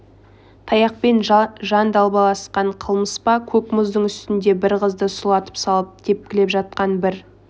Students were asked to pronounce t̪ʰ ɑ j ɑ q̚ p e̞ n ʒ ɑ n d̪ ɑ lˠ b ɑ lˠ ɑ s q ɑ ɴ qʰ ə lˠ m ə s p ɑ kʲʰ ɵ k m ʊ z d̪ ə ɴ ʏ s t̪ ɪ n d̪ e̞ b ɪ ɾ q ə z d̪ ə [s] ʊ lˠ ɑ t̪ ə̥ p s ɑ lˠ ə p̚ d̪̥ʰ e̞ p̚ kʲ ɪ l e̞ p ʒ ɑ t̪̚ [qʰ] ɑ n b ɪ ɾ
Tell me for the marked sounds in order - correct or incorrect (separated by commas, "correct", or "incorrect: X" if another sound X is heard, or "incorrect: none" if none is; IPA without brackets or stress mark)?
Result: correct, incorrect: q